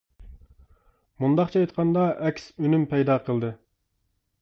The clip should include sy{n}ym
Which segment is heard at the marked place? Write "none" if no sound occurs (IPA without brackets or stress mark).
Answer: n